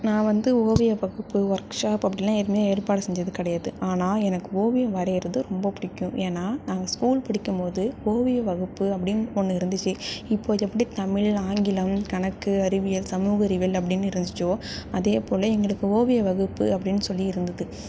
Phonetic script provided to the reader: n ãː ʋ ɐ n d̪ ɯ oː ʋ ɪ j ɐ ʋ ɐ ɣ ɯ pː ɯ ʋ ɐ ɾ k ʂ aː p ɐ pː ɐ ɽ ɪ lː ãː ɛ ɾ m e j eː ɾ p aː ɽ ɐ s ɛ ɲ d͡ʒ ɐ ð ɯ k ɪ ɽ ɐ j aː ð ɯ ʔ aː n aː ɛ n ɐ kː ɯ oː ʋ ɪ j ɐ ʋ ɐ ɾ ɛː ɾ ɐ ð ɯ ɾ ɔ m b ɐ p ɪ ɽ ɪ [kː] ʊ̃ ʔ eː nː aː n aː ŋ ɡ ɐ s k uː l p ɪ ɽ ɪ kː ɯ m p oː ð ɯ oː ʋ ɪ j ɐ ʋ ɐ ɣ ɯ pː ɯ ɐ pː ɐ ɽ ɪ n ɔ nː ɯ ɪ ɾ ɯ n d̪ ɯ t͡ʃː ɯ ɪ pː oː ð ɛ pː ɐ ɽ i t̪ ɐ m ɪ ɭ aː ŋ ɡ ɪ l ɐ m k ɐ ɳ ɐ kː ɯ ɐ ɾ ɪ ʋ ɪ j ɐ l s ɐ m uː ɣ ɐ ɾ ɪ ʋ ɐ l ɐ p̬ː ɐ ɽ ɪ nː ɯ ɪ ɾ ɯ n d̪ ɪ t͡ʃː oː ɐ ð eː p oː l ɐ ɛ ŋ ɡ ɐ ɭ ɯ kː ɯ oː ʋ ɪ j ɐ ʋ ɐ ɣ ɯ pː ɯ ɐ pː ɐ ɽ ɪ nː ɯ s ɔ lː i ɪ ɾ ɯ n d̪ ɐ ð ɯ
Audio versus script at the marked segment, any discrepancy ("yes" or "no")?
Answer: no